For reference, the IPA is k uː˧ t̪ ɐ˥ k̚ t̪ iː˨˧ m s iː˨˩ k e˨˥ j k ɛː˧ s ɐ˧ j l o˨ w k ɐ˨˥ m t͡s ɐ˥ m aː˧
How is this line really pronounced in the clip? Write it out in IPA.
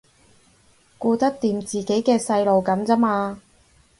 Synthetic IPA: k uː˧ t̪ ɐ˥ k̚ t̪ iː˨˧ m t͡s iː˨˩ k e˨˥ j k ɛː˧ s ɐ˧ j l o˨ w k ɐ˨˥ m t͡s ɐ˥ m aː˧

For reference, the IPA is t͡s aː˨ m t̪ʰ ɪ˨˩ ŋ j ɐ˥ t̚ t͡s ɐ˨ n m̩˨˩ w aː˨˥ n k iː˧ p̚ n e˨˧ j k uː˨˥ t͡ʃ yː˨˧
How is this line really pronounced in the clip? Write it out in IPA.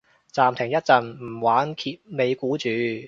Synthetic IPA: t͡s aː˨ m t̪ʰ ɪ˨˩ ŋ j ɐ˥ t̚ t͡s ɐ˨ n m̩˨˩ w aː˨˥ n kʰ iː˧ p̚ m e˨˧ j k uː˨˥ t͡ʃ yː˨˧

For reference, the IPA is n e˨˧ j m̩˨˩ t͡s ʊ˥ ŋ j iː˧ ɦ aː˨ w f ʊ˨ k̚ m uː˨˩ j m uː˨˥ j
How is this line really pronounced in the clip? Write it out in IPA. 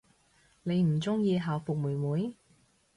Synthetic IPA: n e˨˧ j m̩˨˩ t͡s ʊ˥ ŋ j iː˧ ɦ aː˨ w f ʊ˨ k̚ m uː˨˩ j m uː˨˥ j

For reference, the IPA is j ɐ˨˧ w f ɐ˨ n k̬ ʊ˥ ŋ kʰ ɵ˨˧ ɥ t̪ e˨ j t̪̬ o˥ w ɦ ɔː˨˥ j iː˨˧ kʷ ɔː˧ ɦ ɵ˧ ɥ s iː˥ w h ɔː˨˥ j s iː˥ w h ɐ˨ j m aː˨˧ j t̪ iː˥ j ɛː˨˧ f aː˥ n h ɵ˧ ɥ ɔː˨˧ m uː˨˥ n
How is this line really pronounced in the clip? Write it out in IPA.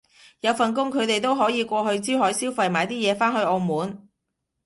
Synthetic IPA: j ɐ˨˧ w f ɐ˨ n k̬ ʊ˥ ŋ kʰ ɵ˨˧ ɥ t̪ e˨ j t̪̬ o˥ w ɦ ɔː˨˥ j iː˨˧ kʷ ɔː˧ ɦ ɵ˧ ɥ t͡s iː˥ w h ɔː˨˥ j s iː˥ w f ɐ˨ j m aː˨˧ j t̪ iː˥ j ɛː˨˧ f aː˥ n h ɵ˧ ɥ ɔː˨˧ m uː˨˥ n

